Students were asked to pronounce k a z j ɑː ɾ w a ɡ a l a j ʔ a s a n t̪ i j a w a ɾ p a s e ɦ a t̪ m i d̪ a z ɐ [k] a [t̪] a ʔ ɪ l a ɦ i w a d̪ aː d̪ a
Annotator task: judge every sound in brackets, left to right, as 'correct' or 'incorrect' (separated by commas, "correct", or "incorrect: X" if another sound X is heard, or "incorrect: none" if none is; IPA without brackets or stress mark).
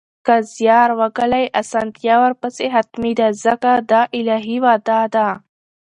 correct, incorrect: d̪